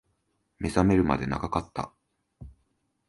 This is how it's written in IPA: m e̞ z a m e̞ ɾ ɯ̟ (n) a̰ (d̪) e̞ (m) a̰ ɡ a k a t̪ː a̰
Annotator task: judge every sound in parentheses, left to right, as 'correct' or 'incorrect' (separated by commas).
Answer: incorrect, correct, incorrect